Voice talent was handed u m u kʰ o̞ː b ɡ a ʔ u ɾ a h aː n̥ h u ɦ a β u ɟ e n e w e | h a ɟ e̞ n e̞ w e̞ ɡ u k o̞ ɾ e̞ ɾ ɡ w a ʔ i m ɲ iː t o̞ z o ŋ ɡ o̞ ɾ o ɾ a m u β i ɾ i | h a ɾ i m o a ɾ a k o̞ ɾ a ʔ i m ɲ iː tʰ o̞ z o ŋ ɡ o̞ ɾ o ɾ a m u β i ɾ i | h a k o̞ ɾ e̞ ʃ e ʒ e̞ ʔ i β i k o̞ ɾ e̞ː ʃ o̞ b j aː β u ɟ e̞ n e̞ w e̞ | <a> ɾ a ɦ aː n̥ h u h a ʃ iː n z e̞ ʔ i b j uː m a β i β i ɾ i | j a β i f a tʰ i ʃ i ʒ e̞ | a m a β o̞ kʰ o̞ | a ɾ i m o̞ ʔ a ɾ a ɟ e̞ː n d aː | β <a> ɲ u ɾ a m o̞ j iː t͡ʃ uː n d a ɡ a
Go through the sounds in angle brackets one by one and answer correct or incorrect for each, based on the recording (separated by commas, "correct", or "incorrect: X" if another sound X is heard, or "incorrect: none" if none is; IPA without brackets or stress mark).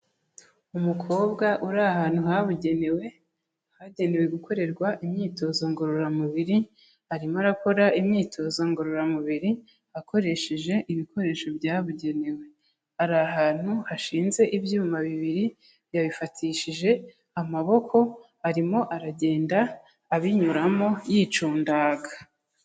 correct, incorrect: i